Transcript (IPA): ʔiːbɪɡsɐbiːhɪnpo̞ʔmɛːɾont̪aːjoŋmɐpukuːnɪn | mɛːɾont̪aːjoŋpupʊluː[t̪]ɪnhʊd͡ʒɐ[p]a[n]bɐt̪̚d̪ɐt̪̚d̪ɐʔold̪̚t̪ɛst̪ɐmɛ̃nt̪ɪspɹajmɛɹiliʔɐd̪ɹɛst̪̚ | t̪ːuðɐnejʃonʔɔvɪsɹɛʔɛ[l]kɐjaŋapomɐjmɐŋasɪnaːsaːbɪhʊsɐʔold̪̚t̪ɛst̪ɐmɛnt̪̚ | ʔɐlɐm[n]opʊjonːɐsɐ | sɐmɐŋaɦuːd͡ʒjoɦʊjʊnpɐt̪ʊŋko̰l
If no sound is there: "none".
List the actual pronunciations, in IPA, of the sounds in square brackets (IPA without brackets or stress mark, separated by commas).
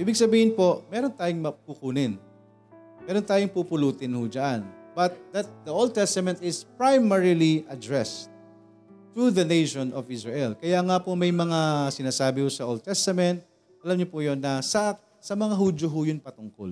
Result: t̪, ʔ, n, l, ɲ